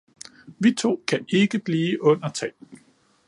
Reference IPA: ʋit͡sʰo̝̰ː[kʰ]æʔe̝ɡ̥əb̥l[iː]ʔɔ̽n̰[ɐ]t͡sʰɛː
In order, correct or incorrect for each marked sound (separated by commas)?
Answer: correct, correct, correct